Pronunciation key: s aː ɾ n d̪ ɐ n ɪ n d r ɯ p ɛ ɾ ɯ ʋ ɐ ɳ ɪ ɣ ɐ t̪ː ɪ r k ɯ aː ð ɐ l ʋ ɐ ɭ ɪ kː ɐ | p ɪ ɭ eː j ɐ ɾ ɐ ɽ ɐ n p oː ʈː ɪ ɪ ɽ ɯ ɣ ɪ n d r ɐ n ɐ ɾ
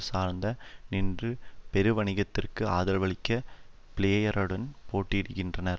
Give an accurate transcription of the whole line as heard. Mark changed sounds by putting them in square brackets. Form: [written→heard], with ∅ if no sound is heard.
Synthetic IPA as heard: s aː ɾ n d̪ ɐ n ɪ n d r ɯ p ɛ ɾ ɯ ʋ ɐ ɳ ɪ ɣ ɐ t̪ː ɪ r k ɯ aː ð ɐ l ʋ ɐ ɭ ɪ kː ɐ | p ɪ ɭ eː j ɐ ɾ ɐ ɽ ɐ n p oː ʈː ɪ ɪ ɽ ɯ ɣ ɪ n d r ɐ n ɐ ɾ